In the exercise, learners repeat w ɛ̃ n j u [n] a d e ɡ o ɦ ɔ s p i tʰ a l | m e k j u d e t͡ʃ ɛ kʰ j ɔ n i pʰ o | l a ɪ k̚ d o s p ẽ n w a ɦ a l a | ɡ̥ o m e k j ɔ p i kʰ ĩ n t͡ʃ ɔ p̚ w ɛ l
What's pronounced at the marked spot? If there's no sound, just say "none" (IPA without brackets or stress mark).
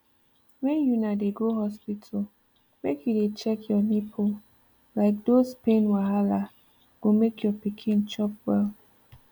n